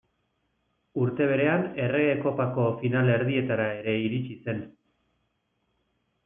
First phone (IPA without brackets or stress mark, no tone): u